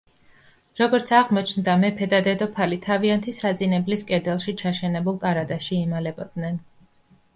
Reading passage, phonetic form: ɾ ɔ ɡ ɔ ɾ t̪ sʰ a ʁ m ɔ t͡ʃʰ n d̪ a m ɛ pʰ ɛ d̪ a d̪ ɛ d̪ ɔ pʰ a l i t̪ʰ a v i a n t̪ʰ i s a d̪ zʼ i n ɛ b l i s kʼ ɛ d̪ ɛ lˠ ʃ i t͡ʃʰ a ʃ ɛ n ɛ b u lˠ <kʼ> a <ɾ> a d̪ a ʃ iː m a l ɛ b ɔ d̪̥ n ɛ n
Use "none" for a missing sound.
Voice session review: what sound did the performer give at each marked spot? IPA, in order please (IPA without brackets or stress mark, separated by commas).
kʼ, ɾ